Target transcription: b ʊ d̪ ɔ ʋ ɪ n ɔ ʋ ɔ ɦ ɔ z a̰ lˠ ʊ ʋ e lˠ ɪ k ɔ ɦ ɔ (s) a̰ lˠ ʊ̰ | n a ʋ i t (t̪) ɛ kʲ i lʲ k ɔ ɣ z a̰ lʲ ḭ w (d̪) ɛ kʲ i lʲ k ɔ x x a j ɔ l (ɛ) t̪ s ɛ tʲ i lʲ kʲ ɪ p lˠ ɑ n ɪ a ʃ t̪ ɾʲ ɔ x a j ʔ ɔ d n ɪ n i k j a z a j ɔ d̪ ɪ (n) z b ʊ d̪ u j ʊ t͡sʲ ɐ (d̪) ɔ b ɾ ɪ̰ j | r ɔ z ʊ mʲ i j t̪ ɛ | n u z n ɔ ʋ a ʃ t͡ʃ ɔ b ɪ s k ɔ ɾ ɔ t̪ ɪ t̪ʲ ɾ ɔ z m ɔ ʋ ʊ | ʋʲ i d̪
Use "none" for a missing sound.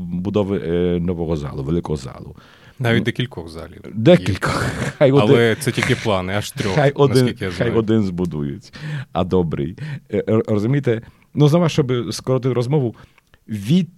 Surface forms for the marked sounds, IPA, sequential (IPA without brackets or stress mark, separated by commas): z, d̪, d̪, ɛ, n, d̪